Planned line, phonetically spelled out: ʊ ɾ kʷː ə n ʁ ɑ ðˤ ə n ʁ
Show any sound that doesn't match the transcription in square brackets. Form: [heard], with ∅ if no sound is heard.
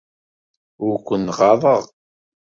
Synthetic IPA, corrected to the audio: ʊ ɾ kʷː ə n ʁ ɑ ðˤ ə [∅] ʁ